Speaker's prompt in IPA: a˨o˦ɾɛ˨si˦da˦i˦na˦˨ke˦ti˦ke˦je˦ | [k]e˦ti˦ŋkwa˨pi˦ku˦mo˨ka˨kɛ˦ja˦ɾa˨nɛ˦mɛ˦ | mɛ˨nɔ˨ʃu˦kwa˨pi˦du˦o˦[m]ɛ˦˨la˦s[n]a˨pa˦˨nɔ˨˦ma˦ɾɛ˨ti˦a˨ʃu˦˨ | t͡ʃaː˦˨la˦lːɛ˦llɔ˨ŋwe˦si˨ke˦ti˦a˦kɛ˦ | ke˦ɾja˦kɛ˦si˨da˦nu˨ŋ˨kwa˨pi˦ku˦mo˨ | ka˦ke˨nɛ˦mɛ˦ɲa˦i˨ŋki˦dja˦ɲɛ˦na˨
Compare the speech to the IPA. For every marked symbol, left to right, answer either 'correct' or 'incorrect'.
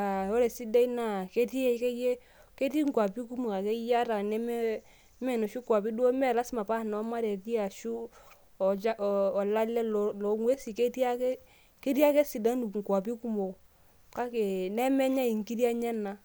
correct, correct, incorrect

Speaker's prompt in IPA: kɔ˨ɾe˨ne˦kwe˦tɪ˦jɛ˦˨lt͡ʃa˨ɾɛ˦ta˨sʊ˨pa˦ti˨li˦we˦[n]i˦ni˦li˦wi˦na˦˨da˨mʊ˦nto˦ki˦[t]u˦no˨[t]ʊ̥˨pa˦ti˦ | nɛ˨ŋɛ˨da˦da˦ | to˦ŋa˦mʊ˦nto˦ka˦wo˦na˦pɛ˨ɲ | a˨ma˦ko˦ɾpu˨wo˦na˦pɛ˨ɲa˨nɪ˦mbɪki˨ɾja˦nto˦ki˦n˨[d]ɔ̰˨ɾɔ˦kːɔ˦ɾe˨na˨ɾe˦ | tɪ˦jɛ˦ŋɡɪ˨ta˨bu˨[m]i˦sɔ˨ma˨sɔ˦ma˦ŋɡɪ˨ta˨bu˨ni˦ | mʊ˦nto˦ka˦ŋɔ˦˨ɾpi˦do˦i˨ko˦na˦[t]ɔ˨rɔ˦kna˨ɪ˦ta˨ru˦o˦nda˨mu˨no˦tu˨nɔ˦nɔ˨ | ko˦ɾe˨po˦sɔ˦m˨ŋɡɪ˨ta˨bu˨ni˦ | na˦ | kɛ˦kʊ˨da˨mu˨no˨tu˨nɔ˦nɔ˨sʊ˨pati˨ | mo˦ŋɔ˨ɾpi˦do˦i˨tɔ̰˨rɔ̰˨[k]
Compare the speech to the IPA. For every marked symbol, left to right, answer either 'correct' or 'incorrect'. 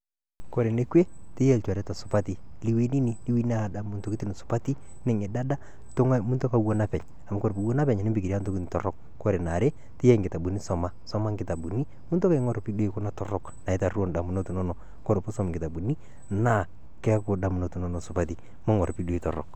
correct, correct, incorrect, incorrect, incorrect, correct, correct

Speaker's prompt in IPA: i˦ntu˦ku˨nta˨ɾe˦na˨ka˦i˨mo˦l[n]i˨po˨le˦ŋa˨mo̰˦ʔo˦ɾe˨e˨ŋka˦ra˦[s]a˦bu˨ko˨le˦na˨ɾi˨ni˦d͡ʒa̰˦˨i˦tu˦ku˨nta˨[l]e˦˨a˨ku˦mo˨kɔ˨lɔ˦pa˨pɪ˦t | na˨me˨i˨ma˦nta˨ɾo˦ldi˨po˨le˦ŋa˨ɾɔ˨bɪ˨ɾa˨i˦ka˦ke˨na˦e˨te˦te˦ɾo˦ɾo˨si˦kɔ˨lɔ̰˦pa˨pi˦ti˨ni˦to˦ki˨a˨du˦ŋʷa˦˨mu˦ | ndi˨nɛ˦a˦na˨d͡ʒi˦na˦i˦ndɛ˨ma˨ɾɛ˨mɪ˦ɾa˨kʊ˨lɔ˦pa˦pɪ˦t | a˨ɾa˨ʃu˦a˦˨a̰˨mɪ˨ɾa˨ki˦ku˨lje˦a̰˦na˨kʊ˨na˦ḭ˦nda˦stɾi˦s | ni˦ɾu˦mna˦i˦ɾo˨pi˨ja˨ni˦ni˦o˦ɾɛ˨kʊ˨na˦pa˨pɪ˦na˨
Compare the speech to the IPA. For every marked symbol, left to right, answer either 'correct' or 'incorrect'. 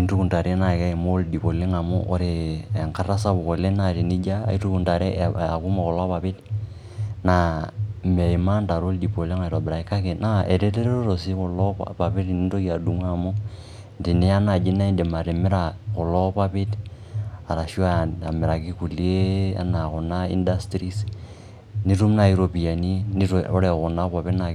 incorrect, correct, incorrect

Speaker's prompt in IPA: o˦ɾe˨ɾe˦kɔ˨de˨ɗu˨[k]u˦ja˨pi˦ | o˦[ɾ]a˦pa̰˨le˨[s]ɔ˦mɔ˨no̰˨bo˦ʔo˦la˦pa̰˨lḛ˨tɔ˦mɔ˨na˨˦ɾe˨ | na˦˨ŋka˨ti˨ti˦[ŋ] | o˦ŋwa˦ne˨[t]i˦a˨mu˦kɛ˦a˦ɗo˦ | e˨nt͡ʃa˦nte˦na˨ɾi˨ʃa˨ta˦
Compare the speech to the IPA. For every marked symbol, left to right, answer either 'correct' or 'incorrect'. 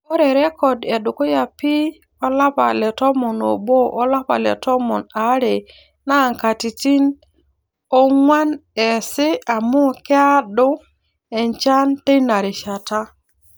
correct, incorrect, incorrect, incorrect, incorrect

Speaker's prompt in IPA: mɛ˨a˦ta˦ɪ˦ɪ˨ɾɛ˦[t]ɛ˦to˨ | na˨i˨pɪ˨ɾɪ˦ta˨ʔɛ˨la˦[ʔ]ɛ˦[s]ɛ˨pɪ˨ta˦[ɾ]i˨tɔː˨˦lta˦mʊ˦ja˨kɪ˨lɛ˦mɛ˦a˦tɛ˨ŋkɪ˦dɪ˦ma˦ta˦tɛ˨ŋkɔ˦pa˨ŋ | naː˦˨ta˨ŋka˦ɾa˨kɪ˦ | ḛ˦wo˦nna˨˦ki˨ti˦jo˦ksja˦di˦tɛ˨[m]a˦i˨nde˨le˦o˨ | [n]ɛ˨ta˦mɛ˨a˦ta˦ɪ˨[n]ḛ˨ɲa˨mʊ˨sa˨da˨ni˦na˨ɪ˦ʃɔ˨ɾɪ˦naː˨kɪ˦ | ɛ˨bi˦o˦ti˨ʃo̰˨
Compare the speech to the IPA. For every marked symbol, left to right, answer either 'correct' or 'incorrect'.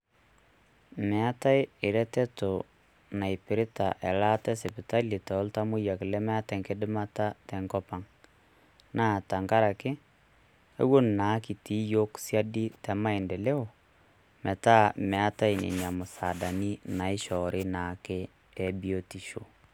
correct, incorrect, correct, incorrect, correct, incorrect, correct

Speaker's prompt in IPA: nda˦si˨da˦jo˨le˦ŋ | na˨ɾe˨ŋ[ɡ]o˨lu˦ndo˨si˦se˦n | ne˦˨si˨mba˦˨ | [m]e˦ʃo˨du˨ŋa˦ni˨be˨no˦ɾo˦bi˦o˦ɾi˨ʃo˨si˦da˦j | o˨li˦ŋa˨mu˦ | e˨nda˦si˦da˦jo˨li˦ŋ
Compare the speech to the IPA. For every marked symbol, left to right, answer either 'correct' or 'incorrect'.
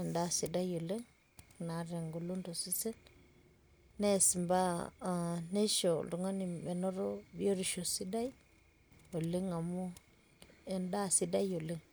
correct, incorrect

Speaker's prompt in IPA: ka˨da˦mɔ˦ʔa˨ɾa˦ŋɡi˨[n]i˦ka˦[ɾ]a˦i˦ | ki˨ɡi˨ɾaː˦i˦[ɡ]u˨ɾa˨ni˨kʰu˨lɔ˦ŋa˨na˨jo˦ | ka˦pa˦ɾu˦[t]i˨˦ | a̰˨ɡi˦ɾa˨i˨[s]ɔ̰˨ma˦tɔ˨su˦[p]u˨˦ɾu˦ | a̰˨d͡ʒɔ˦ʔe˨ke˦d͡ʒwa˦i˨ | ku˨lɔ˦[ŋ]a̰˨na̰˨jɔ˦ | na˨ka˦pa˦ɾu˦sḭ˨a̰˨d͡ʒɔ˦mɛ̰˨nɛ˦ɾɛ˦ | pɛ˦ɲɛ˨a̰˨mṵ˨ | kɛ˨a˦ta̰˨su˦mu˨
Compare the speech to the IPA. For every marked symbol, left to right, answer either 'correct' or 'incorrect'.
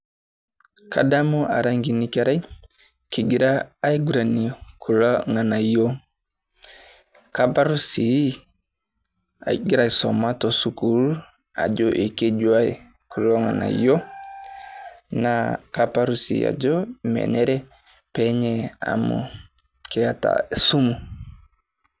correct, correct, correct, incorrect, correct, incorrect, correct

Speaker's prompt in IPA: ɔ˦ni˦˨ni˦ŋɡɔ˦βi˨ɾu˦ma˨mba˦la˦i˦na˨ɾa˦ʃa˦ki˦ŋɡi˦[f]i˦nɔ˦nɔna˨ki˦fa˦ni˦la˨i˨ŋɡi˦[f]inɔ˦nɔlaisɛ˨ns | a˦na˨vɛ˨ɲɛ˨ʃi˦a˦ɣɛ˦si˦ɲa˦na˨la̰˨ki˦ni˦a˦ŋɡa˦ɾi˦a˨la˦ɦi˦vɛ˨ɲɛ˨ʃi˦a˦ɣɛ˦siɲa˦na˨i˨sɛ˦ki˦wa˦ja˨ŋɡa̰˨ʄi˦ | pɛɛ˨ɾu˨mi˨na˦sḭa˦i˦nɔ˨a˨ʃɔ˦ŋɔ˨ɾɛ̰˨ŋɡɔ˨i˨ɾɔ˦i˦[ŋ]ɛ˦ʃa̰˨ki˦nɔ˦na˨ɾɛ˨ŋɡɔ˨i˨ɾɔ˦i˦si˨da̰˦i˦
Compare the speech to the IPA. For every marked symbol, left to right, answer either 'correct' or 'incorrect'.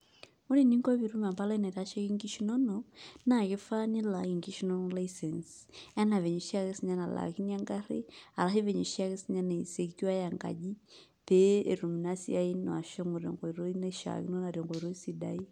incorrect, incorrect, incorrect

